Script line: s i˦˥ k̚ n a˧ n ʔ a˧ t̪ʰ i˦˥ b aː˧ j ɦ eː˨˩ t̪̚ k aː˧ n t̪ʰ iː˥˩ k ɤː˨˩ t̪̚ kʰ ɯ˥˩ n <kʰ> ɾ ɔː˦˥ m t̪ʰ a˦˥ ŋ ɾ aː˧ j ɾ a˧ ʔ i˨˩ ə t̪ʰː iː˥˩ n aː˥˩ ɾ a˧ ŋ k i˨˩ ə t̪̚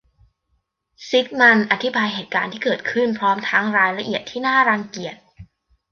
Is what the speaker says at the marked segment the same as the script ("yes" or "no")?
no